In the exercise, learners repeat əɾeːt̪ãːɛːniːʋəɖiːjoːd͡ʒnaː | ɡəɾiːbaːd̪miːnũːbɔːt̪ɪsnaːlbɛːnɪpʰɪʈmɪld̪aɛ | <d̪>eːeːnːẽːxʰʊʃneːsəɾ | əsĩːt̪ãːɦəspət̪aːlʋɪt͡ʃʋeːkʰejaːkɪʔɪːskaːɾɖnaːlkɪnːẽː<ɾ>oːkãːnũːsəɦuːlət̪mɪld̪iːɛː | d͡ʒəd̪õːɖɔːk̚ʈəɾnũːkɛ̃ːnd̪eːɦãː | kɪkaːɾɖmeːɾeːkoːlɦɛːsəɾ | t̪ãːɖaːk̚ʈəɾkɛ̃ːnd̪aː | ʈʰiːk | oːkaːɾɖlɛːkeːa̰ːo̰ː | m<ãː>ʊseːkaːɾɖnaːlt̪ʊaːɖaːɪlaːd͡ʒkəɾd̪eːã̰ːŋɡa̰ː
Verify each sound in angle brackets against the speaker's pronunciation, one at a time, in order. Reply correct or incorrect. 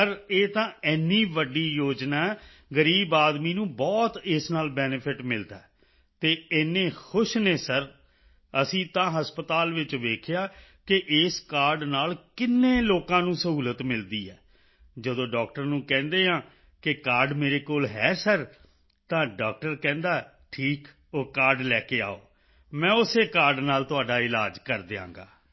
incorrect, incorrect, incorrect

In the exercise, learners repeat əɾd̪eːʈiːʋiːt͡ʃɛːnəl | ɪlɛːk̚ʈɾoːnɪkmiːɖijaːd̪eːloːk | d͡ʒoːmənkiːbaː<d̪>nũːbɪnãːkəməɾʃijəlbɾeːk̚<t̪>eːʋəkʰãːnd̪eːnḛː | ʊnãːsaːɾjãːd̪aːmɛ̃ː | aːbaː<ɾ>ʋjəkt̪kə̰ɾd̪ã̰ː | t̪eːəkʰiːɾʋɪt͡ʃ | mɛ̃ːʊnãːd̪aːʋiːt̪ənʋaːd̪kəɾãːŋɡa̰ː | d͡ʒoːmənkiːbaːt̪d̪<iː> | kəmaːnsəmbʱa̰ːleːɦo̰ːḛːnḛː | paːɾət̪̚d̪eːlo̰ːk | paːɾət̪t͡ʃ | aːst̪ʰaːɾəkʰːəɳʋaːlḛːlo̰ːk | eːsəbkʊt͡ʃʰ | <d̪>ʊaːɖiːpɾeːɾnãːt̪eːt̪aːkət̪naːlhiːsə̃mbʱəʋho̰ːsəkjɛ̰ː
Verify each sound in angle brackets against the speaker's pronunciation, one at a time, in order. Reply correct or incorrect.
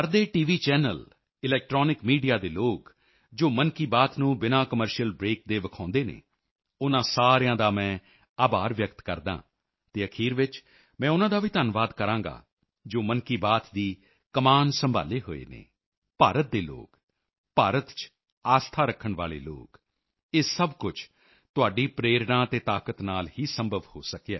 incorrect, incorrect, correct, correct, incorrect

